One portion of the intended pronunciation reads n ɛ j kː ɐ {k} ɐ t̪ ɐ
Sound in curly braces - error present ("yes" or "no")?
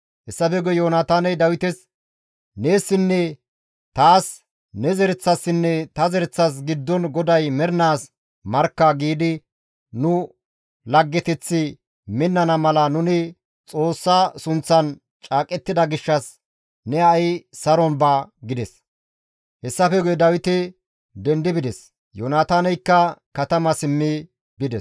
no